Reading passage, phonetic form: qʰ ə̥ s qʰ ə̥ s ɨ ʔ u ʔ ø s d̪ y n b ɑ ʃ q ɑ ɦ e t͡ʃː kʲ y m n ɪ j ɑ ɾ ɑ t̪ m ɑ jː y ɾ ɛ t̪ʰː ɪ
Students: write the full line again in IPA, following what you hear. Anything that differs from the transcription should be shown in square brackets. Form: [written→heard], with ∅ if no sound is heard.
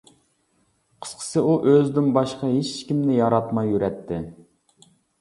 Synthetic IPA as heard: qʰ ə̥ s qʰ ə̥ s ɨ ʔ u ʔ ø [s→z] d̪ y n b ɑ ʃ q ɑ ɦ e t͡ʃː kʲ [y→i] m n ɪ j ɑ ɾ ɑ t̪ m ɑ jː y ɾ ɛ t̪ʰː ɪ